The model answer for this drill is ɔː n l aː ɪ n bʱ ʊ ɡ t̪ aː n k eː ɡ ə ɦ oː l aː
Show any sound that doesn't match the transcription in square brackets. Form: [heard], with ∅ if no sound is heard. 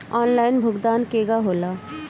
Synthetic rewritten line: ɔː n l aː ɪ n bʱ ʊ ɡ [d̪] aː n k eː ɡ [a] ɦ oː l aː